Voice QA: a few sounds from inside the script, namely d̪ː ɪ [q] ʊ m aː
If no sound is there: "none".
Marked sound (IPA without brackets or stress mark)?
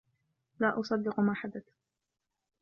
q